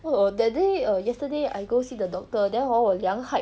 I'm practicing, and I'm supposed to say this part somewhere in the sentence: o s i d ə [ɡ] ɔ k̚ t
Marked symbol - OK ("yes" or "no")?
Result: no